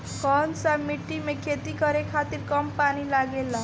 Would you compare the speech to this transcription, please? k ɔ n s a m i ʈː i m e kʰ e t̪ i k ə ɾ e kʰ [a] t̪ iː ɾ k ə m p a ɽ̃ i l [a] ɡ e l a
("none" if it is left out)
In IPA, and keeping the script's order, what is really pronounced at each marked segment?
a, a

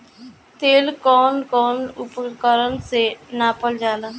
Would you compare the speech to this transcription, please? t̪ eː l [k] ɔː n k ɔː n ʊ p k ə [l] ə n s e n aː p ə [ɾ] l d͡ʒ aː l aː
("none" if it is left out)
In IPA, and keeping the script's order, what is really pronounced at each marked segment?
k, ɾ, none

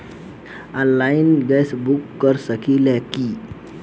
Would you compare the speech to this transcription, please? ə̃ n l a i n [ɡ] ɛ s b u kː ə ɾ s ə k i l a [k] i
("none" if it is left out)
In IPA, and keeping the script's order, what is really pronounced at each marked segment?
ɡ, k

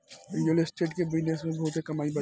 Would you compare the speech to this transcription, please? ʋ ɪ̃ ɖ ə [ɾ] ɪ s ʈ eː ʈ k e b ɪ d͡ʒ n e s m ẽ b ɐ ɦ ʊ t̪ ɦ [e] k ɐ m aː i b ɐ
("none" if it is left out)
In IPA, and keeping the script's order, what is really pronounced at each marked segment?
l, e

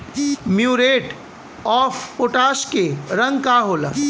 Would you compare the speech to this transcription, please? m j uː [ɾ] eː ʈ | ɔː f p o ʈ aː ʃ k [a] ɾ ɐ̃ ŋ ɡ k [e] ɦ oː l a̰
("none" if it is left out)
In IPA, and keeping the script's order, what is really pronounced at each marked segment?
ɾ, e, a

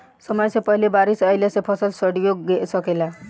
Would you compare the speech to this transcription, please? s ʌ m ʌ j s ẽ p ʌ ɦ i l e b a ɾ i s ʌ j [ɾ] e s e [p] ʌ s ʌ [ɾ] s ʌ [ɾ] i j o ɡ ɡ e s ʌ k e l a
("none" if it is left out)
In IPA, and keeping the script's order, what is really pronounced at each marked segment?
l, pʰ, l, ɽ

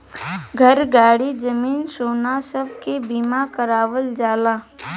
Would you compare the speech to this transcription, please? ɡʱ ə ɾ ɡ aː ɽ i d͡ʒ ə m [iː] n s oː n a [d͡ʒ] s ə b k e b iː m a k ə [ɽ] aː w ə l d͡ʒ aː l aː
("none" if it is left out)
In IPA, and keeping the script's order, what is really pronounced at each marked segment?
iː, none, ɾ

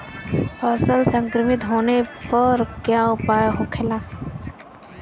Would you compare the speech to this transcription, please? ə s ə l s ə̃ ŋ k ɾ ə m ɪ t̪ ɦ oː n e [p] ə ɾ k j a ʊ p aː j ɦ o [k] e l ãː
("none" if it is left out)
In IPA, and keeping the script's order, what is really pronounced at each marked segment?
p, kʰ

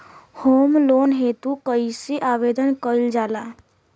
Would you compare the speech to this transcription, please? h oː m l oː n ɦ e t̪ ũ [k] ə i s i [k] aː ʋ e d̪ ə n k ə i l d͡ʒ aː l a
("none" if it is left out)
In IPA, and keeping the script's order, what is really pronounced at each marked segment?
k, ʔ

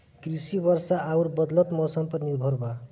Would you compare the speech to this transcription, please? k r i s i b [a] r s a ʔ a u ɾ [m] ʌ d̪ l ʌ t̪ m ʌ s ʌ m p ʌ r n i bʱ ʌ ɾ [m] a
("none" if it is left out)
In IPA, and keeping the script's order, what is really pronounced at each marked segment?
ʌ, b, b

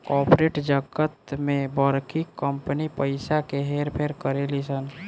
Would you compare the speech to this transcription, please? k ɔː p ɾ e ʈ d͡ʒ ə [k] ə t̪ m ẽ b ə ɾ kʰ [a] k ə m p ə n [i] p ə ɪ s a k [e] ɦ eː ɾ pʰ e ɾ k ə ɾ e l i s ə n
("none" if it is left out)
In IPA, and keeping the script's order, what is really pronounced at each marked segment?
ɡ, i, i, e

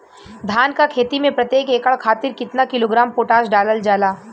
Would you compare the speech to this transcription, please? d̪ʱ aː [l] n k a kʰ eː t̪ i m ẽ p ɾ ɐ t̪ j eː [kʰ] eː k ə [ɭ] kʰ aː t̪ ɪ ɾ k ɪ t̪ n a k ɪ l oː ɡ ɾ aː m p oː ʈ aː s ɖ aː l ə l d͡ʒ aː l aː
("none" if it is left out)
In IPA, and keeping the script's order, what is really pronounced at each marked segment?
none, k, ɭ

